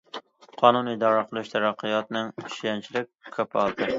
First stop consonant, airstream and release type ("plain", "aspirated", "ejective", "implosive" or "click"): aspirated